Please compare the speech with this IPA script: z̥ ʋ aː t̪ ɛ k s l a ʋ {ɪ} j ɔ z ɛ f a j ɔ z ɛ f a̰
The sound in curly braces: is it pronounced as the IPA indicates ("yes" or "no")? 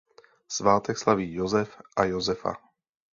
no